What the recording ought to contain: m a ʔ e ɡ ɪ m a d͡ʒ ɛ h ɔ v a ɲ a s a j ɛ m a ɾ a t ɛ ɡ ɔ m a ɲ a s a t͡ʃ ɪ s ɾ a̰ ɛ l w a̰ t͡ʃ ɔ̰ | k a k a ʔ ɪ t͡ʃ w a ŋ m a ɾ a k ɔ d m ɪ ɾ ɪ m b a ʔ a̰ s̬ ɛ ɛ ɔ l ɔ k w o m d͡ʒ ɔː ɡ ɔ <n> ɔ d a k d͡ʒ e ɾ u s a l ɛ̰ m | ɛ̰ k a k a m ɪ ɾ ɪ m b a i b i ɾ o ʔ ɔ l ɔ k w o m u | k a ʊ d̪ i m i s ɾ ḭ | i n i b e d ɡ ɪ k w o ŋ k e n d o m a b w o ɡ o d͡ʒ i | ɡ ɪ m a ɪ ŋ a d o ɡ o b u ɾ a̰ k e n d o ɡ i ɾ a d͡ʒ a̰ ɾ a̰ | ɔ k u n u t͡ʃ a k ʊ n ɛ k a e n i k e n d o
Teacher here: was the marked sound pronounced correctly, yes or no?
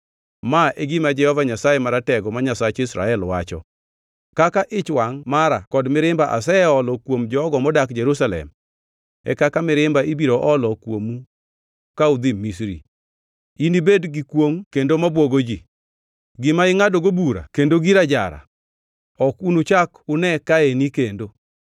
no